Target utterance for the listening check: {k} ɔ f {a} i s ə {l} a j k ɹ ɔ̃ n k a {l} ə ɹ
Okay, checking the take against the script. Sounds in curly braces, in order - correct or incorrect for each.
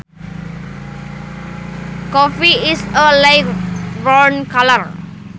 correct, incorrect, correct, correct

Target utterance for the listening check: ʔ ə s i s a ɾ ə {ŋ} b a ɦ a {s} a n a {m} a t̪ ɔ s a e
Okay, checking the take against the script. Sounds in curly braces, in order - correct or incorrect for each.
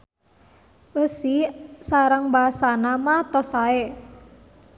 correct, correct, correct

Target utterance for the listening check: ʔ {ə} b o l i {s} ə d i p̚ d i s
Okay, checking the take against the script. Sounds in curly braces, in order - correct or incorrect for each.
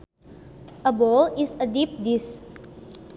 correct, correct

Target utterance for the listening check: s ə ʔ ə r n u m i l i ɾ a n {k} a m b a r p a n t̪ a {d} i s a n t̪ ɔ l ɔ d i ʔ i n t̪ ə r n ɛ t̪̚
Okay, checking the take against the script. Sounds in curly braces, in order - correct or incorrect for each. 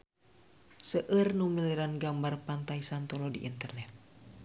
incorrect, incorrect

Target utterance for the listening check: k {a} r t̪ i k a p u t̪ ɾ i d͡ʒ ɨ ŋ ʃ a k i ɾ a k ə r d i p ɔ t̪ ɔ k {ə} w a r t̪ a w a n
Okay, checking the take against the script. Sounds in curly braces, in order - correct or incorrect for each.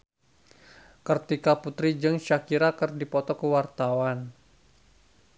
incorrect, correct

